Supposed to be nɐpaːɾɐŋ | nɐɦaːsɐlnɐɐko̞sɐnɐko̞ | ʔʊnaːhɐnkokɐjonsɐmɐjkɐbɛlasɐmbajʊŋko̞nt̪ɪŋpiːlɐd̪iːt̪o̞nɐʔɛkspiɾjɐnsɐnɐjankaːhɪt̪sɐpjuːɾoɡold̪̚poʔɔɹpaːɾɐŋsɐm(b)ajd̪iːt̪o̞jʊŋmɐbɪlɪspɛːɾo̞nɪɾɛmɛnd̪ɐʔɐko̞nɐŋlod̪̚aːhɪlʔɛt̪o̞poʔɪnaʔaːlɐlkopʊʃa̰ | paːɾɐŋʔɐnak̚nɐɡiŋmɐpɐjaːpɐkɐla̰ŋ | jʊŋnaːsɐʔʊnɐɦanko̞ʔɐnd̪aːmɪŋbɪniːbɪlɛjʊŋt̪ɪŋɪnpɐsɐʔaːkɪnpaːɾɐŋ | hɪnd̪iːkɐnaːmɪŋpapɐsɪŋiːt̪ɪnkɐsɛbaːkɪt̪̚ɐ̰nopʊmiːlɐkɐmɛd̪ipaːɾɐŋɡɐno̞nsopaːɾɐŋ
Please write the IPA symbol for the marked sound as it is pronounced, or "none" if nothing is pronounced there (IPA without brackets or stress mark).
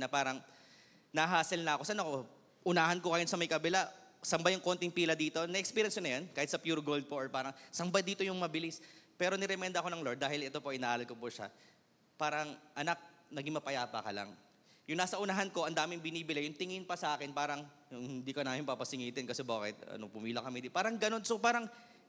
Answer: b